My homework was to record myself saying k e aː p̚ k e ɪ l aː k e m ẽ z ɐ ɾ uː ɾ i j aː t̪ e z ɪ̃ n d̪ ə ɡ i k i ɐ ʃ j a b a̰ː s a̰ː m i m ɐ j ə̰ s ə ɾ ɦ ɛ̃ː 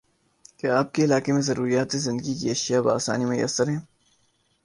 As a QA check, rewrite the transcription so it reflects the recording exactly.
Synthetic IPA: k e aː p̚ k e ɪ l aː k e m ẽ z ɐ ɾ uː ɾ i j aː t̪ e z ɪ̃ n d̪ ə ɡ i k i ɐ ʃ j a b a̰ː s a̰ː n i m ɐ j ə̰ s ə ɾ ɦ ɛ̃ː